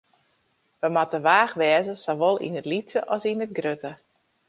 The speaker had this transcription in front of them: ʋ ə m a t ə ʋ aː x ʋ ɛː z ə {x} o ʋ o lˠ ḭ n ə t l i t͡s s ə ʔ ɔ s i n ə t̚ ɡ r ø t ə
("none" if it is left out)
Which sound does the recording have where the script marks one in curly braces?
s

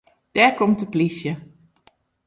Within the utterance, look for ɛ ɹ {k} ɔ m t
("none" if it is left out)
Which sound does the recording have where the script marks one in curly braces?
k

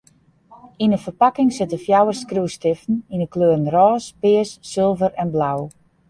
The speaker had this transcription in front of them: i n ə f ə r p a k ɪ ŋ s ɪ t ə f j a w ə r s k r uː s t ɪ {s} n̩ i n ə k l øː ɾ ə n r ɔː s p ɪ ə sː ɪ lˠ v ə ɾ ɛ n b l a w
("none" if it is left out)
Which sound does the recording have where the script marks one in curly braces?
f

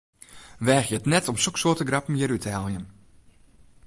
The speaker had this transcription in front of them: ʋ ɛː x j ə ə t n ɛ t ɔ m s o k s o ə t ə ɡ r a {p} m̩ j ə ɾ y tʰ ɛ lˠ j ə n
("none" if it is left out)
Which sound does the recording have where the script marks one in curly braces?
p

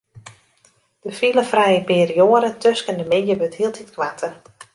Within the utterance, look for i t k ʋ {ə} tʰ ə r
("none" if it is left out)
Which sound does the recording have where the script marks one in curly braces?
a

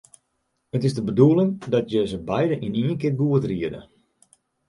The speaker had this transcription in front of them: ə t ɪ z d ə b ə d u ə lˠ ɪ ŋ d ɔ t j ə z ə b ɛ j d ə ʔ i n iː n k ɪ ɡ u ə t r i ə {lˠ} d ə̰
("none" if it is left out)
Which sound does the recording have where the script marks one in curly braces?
none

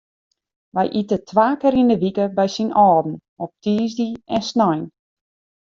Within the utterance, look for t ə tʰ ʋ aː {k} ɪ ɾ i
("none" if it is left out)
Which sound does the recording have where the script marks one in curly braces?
k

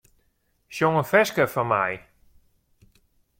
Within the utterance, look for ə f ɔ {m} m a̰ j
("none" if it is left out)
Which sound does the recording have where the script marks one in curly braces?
n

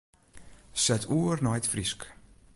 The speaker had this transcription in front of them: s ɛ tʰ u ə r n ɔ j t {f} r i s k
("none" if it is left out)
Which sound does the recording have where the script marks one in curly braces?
f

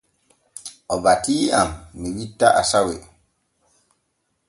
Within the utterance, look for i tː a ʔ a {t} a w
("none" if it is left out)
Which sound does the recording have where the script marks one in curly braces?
s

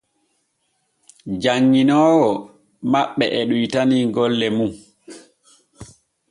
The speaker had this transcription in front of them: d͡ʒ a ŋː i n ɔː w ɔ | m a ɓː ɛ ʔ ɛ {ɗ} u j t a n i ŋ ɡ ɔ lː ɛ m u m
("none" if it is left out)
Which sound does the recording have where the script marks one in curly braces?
ɗ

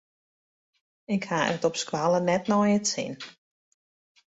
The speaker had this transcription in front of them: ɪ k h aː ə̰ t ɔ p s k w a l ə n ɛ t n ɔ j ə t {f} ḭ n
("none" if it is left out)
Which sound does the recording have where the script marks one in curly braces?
s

